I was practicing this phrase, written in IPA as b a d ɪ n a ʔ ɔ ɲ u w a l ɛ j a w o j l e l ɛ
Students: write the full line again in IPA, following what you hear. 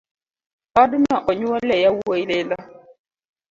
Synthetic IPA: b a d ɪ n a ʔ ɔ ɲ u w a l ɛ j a w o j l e l a